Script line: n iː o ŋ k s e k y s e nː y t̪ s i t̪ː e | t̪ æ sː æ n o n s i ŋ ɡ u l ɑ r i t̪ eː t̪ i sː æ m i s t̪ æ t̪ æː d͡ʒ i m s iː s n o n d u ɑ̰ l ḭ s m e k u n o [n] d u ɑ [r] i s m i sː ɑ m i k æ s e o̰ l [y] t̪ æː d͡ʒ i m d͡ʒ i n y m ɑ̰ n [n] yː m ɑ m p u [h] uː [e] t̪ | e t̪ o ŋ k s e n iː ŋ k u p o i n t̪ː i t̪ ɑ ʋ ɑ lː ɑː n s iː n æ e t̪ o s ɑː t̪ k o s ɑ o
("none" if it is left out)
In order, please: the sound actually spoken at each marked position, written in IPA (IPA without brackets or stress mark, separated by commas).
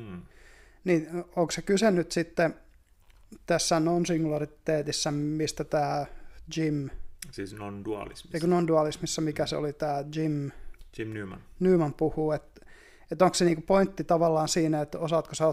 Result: n, l, i, n, h, e